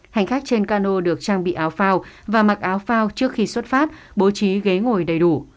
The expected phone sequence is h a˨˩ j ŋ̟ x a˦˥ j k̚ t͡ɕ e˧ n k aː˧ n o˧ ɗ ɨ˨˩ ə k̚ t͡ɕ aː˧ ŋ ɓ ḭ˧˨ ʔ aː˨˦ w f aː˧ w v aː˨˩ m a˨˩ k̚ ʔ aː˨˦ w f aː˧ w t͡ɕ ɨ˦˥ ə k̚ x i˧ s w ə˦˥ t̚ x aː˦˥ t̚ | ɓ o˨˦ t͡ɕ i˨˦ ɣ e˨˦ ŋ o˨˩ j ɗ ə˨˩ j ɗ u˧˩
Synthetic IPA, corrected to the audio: h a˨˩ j ŋ̟ x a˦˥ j k̚ t͡ɕ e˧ n k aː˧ n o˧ ɗ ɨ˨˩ ə k̚ t͡ɕ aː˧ ŋ ɓ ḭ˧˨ ʔ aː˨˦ w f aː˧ w v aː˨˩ m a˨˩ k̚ ʔ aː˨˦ w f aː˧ w t͡ɕ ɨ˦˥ ə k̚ x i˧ s w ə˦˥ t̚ f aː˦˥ t̚ | ɓ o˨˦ t͡ɕ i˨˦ ɣ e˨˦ ŋ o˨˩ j ɗ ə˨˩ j ɗ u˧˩